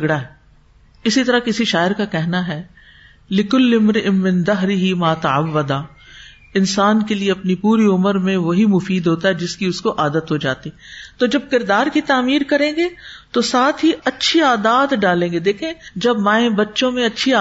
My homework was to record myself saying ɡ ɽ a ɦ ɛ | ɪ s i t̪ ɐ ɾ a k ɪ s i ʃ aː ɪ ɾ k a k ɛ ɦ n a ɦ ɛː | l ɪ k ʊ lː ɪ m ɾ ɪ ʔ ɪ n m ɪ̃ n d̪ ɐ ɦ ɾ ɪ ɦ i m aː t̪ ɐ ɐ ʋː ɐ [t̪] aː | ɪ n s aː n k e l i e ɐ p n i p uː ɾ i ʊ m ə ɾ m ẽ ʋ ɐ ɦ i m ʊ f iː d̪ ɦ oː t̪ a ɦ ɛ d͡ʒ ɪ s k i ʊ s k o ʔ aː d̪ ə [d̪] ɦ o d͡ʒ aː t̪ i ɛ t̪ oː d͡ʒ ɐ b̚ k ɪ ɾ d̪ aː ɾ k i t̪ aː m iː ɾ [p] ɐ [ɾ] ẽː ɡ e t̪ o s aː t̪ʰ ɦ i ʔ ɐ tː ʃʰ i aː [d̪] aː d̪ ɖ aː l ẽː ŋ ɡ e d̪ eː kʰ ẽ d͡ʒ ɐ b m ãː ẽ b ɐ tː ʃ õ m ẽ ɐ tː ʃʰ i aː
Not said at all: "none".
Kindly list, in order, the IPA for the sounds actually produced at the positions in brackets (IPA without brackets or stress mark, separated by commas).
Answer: d̪, t̪, k, ɾ, d̪